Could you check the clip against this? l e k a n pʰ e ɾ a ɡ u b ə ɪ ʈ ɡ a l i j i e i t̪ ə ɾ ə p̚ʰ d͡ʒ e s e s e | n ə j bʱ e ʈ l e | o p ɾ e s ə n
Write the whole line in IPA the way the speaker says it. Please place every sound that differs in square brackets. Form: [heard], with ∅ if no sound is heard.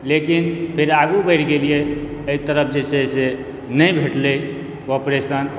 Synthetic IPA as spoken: l e k [i] n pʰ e ɾ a ɡ u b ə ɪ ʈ ɡ [e] l i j [e] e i t̪ ə ɾ ə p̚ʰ d͡ʒ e s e s e | n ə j bʱ e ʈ l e | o p ɾ e s ə n